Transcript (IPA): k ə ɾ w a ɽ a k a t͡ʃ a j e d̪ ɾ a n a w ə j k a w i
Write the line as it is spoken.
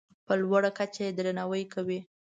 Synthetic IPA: p ə l w a ɽ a k a t͡ʃ a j e d̪ ɾ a n a w ə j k a w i